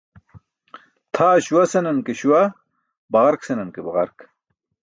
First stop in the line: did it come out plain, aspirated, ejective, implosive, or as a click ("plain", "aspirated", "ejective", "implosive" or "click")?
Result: aspirated